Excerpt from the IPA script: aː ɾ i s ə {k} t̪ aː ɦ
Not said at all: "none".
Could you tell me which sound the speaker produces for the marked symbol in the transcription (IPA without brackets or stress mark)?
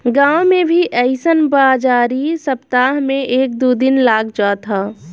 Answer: p